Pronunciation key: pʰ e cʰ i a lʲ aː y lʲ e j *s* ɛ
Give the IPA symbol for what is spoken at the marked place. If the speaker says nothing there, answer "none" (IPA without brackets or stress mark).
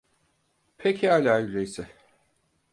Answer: s